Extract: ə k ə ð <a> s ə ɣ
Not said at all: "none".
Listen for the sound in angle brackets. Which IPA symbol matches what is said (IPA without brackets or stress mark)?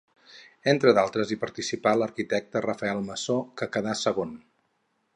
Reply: a